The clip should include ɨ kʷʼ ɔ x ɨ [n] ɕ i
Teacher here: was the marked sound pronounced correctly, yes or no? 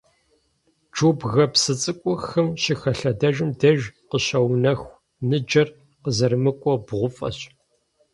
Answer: no